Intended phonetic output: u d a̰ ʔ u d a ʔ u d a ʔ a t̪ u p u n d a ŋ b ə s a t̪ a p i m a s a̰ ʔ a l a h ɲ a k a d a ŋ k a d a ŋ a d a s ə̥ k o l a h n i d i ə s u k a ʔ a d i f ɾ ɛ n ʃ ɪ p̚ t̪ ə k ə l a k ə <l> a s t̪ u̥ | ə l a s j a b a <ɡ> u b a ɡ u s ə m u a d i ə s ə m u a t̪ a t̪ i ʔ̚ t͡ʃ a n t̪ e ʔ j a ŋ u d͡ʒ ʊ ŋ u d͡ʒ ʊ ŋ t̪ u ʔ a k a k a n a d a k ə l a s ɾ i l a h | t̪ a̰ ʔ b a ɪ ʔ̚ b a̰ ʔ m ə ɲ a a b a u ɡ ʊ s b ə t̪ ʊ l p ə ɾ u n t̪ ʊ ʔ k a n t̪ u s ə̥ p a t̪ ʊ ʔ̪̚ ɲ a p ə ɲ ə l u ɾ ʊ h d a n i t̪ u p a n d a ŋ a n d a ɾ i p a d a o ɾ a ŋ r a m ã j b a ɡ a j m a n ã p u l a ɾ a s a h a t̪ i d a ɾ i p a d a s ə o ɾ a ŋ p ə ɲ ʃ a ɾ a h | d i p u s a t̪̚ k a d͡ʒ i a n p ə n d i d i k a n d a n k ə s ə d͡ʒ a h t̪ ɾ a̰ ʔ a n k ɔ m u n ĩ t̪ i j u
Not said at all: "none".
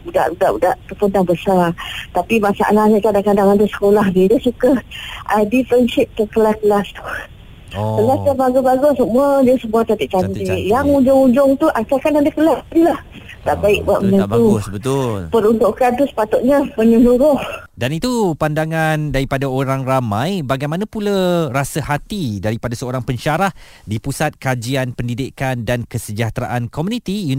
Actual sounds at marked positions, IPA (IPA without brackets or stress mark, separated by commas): l, ɡ